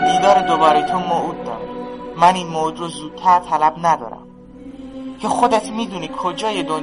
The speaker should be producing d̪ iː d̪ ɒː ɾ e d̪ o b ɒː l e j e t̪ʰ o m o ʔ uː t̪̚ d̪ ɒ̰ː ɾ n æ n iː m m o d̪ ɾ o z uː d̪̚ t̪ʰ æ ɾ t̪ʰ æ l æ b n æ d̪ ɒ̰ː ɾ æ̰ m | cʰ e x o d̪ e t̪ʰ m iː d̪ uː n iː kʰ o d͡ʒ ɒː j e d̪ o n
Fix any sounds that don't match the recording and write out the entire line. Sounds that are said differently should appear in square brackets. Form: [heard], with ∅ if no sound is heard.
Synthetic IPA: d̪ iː d̪ ɒː ɾ e d̪ o b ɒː [ɾ] e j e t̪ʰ o m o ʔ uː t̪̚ d̪ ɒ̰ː ɾ [m] æ n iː [n] m o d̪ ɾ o z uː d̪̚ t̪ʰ æ ɾ t̪ʰ æ l æ b n æ d̪ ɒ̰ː ɾ æ̰ m | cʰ e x o d̪ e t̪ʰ m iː d̪ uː n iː kʰ o d͡ʒ ɒː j e d̪ o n